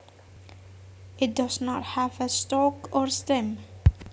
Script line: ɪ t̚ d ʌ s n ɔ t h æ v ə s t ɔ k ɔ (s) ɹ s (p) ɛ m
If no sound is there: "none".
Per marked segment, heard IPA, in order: none, t

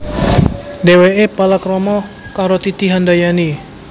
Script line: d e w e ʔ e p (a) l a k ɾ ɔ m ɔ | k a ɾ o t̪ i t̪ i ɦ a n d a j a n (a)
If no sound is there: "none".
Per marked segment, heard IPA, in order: a, i

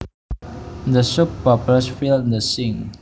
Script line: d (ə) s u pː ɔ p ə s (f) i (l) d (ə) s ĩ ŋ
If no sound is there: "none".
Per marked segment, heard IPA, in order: ə, f, l, ə

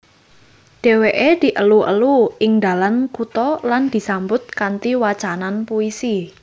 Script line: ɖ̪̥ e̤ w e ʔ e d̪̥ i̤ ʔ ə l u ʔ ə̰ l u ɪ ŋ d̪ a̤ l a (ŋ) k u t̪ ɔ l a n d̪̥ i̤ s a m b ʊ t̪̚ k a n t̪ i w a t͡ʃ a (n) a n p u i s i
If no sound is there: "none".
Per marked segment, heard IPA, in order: n, n

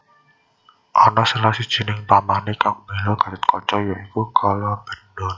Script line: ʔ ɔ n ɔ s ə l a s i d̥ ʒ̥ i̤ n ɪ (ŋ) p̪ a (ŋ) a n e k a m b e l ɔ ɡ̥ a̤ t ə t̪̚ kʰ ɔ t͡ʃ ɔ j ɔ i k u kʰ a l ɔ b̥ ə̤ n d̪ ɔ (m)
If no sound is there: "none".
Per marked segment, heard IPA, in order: ŋ, m, n

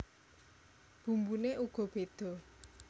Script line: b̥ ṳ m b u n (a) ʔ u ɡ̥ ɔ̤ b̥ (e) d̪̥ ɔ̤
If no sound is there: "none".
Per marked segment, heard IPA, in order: e, e

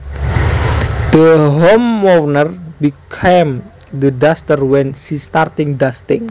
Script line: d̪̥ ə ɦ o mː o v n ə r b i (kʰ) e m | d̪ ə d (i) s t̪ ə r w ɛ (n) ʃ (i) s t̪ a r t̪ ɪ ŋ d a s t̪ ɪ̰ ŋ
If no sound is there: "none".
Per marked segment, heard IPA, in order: kʰ, a, n, i

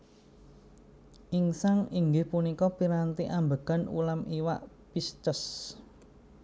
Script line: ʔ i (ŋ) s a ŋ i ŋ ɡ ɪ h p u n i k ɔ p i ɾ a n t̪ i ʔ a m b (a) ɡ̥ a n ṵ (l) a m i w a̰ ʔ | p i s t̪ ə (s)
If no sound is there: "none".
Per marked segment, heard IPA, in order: ŋ, ə, l, s

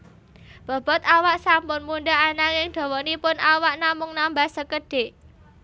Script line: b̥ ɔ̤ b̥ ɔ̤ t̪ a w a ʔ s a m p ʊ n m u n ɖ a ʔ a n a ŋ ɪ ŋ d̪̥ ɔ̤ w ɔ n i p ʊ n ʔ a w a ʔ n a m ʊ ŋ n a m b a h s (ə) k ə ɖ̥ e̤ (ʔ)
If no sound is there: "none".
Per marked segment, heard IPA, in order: ə, ʔ

